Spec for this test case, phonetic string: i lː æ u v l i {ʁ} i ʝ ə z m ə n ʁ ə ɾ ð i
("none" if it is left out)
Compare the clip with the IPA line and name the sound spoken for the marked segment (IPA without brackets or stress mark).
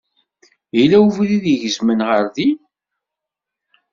ð